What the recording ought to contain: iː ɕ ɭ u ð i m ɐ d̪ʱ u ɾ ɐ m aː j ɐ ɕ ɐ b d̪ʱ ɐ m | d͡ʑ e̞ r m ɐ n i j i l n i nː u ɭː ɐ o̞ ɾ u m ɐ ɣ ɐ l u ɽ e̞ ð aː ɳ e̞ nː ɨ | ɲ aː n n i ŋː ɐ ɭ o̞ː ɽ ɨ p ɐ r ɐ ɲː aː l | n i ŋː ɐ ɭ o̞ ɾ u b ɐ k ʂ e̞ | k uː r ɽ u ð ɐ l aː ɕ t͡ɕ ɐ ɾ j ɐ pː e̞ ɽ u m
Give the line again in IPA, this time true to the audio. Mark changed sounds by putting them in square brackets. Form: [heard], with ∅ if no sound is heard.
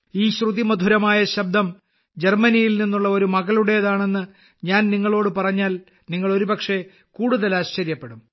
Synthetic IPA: iː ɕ [r] u ð i m ɐ d̪ʱ u ɾ ɐ m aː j ɐ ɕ ɐ b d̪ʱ ɐ m | d͡ʑ e̞ r m ɐ n i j i l n i nː u ɭː ɐ o̞ ɾ u m ɐ ɣ ɐ l u ɽ e̞ ð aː ɳ e̞ nː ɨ | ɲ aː n n i ŋː ɐ ɭ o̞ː ɽ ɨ p ɐ r ɐ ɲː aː l | n i ŋː ɐ ɭ o̞ ɾ u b ɐ k ʂ e̞ | k uː [∅] ɽ u ð ɐ l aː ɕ t͡ɕ ɐ ɾ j ɐ pː e̞ ɽ u m